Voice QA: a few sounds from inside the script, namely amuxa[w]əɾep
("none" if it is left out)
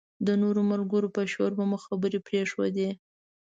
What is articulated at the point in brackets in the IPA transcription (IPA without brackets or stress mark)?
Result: b